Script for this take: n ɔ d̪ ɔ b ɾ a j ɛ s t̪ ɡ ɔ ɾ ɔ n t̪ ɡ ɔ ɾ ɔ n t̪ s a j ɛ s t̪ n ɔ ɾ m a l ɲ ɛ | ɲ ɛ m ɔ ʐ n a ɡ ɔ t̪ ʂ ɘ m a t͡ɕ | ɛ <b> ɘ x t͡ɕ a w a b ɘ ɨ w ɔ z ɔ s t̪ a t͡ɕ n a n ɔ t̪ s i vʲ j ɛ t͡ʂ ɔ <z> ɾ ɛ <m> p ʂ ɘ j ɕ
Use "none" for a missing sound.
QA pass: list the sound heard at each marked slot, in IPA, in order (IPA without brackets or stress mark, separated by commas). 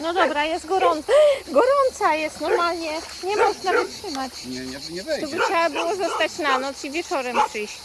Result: b, none, m